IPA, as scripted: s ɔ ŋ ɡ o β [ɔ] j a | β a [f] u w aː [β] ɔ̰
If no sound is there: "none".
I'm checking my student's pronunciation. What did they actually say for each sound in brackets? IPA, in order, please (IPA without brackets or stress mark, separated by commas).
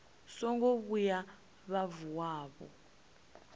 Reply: u, v, β